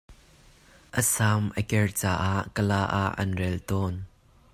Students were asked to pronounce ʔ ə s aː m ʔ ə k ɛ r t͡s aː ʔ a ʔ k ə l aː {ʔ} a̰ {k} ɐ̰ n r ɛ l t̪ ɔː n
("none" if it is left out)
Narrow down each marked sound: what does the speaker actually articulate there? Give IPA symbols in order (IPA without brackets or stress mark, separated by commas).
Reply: ʔ, ʔ